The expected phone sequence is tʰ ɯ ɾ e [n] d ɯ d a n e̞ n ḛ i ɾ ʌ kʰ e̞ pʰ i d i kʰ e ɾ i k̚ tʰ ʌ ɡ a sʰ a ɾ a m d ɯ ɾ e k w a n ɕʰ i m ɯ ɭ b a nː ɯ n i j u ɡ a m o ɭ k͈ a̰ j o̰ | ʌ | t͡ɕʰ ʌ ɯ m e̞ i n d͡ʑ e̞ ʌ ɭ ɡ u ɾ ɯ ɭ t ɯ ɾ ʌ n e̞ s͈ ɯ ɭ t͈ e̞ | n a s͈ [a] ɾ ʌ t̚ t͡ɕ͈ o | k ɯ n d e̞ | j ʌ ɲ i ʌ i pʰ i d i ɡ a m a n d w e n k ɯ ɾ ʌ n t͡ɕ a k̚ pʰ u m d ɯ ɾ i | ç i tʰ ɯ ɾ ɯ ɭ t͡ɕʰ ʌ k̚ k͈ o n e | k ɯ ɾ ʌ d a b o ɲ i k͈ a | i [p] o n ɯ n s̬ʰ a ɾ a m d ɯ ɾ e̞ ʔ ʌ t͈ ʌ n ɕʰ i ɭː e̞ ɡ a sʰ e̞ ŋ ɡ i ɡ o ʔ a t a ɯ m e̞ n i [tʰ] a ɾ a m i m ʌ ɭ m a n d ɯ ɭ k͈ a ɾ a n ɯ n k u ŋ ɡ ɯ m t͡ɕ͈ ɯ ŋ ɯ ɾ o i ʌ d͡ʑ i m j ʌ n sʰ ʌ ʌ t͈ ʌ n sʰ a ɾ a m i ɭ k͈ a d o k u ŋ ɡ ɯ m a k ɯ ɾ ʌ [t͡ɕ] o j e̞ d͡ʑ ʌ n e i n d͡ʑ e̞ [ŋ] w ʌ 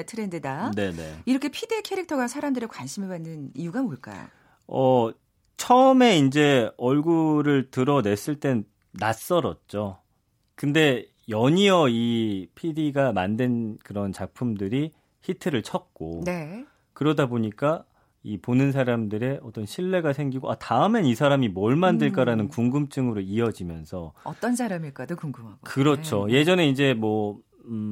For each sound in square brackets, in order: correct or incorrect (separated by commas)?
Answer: correct, incorrect, correct, incorrect, incorrect, incorrect